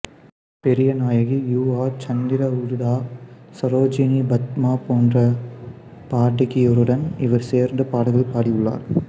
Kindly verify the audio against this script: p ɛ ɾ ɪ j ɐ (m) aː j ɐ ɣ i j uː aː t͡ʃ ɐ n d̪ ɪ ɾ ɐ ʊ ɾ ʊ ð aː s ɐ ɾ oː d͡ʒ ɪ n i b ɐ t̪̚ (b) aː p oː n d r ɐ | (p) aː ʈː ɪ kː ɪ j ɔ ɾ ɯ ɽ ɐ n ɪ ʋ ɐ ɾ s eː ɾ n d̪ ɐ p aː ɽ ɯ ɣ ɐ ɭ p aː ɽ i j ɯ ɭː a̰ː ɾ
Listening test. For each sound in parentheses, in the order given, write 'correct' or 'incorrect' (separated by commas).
incorrect, incorrect, correct